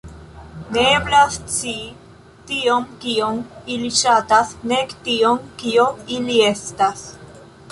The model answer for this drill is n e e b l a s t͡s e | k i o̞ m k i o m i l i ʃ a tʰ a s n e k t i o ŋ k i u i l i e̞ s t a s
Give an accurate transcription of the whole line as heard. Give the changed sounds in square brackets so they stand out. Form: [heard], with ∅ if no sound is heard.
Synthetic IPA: n e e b l a s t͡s [i] | [t] i o̞ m k i o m i l i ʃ a [t] a s n e k t i o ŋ k i [o] i l i e̞ s t a s

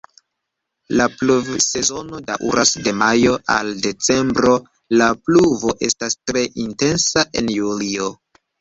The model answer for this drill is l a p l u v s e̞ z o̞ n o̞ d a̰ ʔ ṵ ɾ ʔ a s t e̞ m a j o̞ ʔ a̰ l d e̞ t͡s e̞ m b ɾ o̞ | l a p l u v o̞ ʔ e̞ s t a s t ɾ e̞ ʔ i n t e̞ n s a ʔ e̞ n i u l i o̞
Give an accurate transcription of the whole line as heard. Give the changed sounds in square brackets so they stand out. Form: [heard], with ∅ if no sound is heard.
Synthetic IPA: l a p l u v s e̞ z o̞ n o̞ d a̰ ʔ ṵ ɾ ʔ a s [d] e̞ m a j o̞ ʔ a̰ l d e̞ t͡s e̞ m b ɾ o̞ | l a p l u v o̞ ʔ e̞ s t a s t ɾ e̞ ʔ i n t e̞ n s a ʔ e̞ n [j] u l i o̞

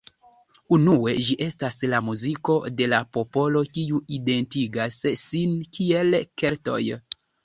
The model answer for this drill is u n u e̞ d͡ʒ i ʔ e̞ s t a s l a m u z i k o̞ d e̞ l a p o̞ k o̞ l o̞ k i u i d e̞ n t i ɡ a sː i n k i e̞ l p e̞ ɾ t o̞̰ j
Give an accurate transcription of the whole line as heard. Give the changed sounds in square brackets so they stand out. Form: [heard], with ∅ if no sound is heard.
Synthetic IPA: u n u e̞ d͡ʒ i ʔ e̞ s t a s l a m u z i k o̞ d e̞ l a p o̞ [p] o̞ l o̞ k i u i d e̞ n t i ɡ a sː i n k i e̞ l [k] e̞ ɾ t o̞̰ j

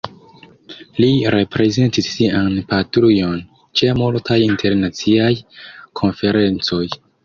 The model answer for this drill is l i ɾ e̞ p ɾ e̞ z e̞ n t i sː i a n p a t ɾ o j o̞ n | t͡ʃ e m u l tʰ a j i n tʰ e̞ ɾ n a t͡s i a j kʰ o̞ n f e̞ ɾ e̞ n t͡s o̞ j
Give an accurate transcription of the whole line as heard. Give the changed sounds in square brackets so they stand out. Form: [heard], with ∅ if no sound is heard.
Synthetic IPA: l i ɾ e̞ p ɾ e̞ z e̞ n t i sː i a n p a t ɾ [u] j o̞ n | t͡ʃ e m u l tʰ a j i n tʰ e̞ ɾ n a t͡s i a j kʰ o̞ n f e̞ ɾ e̞ n t͡s o̞ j

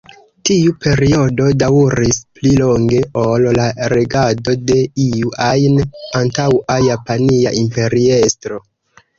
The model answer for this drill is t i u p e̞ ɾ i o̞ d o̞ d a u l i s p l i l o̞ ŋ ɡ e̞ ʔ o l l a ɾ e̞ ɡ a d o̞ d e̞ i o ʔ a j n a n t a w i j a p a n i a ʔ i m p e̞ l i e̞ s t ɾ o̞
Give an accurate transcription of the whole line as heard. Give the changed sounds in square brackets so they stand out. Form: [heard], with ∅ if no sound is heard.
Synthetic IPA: t i u p e̞ ɾ i o̞ d o̞ d a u [ɾ] i s p l i l o̞ ŋ ɡ e̞ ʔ o l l a ɾ e̞ ɡ a d o̞ d e̞ i [u] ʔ a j n a n t a w [a] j a p a n i a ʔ i m p e̞ [ɾ] i e̞ s t ɾ o̞

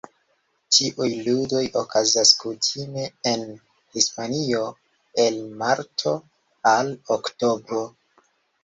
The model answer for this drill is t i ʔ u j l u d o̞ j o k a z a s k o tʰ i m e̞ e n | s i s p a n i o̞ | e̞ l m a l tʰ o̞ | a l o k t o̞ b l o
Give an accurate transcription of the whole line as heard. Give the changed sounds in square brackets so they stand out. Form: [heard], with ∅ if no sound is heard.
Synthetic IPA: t i ʔ u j l u d o̞ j o k a z a s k [u] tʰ i m e̞ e n | [h] i s p a n i o̞ | e̞ l m a [ɾ] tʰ o̞ | a l o k t o̞ b [ɾ] o

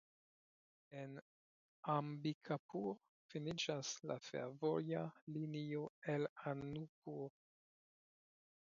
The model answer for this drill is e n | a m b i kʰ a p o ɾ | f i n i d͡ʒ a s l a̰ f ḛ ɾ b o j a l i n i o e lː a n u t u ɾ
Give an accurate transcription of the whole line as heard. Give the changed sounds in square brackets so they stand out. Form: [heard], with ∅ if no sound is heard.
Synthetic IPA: e n | a m b i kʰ a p [u] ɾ | f i n i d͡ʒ a s l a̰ f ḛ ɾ [v] o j a l i n i o e [l] a n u [p] u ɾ

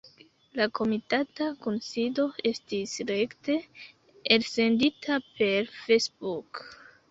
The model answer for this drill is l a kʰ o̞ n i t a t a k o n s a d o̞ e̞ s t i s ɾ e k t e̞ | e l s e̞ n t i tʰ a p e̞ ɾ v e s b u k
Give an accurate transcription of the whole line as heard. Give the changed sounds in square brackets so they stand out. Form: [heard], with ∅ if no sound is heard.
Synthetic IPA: l a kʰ o̞ [m] i t a t a k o n s [i] d o̞ e̞ s t i s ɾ e k t e̞ | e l s e̞ n [d] i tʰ a p e̞ ɾ [f] e s b u k

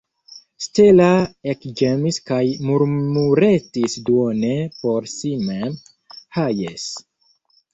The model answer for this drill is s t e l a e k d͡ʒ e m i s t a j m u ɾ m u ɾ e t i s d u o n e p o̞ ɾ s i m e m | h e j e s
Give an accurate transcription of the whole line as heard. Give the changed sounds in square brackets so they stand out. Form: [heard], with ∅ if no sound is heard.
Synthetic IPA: s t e l a e k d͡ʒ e m i s [k] a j m u ɾ m u ɾ e t i s d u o n e p o̞ ɾ s i m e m | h [a] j e s

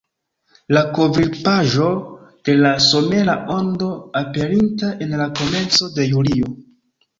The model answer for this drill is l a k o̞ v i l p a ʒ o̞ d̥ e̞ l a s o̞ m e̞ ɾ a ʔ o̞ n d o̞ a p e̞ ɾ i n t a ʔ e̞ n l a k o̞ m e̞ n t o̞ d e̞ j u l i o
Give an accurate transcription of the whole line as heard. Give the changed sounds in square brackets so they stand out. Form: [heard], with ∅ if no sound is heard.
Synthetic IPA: l a k o̞ v i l p a ʒ o̞ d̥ e̞ l a s o̞ m e̞ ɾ a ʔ o̞ n d o̞ a p e̞ ɾ i n t a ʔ e̞ n l a k o̞ m e̞ n [t͡s] o̞ d e̞ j u l i o

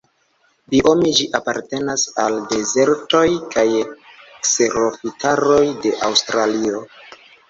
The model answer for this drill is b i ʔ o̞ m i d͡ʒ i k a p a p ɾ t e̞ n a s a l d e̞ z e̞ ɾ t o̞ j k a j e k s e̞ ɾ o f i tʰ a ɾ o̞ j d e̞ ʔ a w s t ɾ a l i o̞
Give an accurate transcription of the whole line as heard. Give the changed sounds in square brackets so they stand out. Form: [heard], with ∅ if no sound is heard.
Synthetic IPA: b i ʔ o̞ m i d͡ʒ i [ʔ] a p a [∅] ɾ t e̞ n a s a l d e̞ z e̞ ɾ t o̞ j k a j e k s e̞ ɾ o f i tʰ a ɾ o̞ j d e̞ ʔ a w s t ɾ a l i o̞

